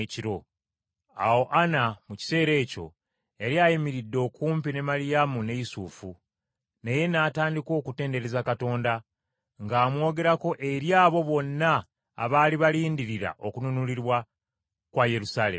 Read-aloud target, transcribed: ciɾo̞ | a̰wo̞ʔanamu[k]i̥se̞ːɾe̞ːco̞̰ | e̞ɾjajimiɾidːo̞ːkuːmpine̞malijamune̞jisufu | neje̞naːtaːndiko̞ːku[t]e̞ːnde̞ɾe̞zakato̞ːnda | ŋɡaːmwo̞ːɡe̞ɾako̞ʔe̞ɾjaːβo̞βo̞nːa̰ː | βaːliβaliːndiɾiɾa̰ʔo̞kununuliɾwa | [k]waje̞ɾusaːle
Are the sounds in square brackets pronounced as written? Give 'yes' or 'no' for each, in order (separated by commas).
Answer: no, yes, yes